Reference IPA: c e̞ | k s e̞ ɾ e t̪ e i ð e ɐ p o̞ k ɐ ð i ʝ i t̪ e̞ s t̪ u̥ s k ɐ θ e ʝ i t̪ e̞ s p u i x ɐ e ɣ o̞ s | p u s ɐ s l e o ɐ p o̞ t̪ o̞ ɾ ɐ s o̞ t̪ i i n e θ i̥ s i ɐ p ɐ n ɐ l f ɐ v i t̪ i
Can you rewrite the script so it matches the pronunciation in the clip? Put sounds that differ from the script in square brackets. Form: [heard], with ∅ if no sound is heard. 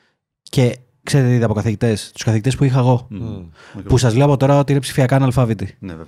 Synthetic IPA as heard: c e̞ | k s e̞ ɾ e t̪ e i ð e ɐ p o̞ k ɐ [θ] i ʝ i t̪ e̞ s t̪ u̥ s k ɐ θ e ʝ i t̪ e̞ s p u i x ɐ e ɣ o̞ [∅] | p u s ɐ [z] l e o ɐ p o̞ t̪ o̞ ɾ ɐ [∅] o̞ t̪ i i n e [s] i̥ [f] i ɐ [k] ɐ n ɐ l f ɐ v i t̪ i